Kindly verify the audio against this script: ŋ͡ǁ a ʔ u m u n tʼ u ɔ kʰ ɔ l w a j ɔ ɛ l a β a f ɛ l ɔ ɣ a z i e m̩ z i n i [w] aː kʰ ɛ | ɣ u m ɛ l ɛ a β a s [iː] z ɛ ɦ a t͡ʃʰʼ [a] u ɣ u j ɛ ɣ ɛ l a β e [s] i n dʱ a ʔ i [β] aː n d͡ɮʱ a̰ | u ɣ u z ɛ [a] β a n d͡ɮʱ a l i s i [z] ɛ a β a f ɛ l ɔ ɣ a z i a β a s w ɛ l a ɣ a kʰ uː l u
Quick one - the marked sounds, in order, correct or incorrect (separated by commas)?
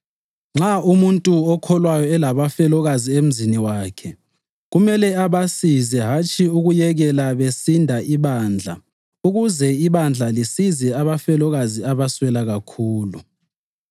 correct, incorrect, incorrect, correct, correct, incorrect, correct